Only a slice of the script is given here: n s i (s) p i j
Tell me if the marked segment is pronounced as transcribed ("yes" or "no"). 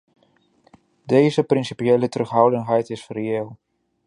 no